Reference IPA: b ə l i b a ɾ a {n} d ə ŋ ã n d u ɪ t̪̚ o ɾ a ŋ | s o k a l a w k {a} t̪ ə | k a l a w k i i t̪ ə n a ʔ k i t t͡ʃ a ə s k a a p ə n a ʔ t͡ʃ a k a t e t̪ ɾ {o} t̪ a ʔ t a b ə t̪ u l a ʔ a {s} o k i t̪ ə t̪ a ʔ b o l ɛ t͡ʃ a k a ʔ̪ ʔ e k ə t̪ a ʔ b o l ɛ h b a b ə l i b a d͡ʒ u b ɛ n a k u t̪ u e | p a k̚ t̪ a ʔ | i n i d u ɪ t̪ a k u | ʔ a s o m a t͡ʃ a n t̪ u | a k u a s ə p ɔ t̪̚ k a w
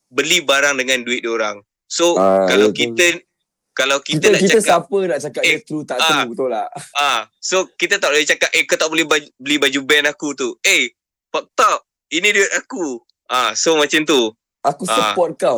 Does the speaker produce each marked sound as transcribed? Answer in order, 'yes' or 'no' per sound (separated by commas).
no, no, no, yes